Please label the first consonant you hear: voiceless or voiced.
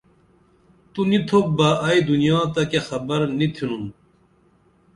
voiceless